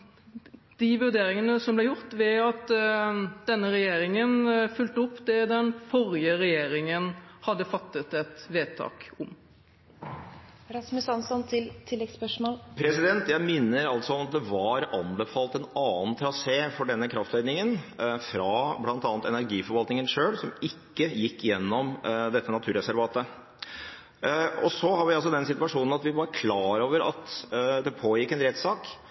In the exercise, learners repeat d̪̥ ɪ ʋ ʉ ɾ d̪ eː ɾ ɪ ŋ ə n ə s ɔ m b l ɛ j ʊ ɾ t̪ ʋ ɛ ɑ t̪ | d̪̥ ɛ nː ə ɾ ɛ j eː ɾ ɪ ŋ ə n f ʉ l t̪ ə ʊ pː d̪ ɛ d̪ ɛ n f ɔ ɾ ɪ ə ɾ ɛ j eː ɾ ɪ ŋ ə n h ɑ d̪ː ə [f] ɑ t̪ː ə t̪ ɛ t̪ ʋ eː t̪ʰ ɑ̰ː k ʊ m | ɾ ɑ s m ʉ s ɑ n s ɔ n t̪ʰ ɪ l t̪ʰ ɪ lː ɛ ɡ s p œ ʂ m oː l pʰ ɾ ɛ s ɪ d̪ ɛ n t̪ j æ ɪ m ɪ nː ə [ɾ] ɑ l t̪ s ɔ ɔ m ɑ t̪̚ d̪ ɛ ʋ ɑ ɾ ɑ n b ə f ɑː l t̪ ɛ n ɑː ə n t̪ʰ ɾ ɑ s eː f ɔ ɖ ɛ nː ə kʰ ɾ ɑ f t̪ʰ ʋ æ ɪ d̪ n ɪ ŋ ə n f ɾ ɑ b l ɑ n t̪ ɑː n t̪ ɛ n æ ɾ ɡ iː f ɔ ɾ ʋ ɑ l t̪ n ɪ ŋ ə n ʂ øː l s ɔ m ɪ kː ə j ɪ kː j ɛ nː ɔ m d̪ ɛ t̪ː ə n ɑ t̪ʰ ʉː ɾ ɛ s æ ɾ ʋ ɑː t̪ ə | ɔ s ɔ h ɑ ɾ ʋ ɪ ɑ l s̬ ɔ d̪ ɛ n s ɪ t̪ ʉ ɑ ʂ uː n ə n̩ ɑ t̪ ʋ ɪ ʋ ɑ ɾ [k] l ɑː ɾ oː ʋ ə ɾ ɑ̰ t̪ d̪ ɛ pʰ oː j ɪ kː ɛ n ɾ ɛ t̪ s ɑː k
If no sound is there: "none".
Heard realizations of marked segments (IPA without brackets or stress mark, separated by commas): f, ɾ, kʰ